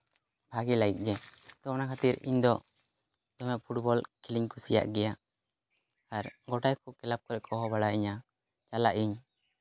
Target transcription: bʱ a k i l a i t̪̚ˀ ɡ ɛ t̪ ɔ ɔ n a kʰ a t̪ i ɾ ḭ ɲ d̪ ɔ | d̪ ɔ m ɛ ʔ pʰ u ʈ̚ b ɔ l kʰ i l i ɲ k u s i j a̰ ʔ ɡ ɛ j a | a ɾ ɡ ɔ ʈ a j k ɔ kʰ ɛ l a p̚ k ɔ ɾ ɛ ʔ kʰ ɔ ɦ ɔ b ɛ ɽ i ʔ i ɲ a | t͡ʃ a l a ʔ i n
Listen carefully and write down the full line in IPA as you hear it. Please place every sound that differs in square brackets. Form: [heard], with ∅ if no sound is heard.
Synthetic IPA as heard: bʱ a [ɡ] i l a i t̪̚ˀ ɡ ɛ t̪ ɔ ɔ n a kʰ a t̪ i ɾ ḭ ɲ d̪ ɔ | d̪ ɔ m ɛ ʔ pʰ u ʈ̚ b ɔ l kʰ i l i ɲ k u s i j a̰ ʔ ɡ ɛ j a | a ɾ ɡ ɔ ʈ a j k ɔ [k] ɛ l a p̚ k ɔ ɾ ɛ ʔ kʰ ɔ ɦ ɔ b [a] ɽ [a] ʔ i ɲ a | t͡ʃ a l a ʔ i [ɲ]